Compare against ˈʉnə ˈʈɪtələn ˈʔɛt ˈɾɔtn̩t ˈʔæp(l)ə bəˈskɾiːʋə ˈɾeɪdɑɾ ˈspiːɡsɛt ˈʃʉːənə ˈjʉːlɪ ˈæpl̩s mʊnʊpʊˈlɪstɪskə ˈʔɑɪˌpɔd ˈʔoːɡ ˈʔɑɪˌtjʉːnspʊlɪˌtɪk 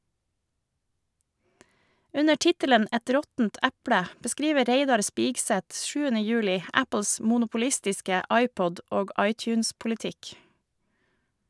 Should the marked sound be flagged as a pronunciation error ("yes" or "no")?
yes